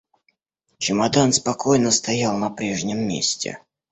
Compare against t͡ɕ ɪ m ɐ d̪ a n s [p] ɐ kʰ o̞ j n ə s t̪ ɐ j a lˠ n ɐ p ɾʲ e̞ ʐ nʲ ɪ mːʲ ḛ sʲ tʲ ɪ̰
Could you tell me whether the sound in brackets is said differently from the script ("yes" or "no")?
no